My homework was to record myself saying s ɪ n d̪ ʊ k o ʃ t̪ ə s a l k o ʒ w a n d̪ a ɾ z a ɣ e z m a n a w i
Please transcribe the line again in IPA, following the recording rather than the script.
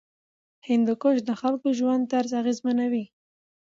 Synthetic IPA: h ɪ n d̪ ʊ k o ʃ d̪ ə x a l k o ʒ w a n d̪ a ɾ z a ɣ e z m a n a w i